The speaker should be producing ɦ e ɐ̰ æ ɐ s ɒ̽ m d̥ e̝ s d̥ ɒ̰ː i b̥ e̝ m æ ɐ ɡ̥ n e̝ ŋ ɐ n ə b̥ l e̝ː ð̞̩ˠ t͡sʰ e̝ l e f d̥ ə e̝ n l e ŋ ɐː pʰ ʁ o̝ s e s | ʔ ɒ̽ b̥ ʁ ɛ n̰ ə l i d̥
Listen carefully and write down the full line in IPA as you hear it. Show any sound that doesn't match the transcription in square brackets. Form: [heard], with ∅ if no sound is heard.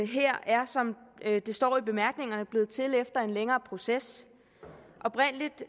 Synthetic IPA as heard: ɦ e ɐ̰ æ ɐ s ɒ̽ m d̥ e̝ s d̥ ɒ̰ː i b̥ e̝ m æ ɐ ɡ̥ n e̝ ŋ ɐ n ə b̥ l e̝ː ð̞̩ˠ t͡sʰ e̝ l e f d̥ [ɐ] e̝ n l e ŋ ɐː pʰ ʁ o̝ s e s | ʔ ɒ̽ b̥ ʁ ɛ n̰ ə l i d̥